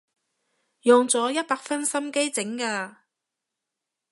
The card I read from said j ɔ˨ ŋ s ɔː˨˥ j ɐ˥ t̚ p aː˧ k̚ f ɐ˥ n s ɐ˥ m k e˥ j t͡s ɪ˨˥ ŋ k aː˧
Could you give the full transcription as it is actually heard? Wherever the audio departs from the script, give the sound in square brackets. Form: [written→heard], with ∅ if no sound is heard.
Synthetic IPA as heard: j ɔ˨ ŋ [s→t͡s] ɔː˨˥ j ɐ˥ t̚ p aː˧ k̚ f ɐ˥ n s ɐ˥ m k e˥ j t͡s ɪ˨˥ ŋ k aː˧